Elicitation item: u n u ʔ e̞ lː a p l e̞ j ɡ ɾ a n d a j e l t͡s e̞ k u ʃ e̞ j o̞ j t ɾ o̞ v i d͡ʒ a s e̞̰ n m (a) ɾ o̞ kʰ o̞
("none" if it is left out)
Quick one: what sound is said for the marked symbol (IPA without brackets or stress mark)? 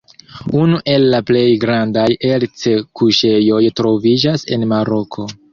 a